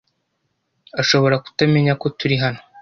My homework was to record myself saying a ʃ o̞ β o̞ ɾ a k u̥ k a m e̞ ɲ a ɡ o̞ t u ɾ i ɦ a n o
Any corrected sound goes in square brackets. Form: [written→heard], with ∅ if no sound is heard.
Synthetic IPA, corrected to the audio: a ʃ o̞ β o̞ ɾ a k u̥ [k→t] a m e̞ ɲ a [ɡ→k] o̞ t u ɾ i ɦ a n o